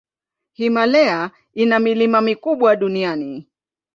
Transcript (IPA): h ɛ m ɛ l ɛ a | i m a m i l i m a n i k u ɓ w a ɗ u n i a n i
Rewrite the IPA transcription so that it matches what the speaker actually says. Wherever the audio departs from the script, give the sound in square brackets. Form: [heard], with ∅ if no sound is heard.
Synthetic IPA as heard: h [i] m [a] l ɛ a | i [n] a m i l i m a [m] i k u ɓ w a ɗ u n i a n i